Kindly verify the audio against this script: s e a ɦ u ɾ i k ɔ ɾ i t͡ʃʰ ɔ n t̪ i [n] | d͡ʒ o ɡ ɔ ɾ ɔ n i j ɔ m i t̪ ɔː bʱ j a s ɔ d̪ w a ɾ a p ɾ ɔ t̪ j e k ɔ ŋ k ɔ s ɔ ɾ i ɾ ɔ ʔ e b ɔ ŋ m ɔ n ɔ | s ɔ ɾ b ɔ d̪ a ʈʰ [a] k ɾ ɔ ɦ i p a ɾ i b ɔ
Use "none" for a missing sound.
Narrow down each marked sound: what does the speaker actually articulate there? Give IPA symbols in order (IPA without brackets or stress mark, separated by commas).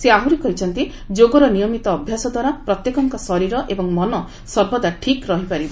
none, i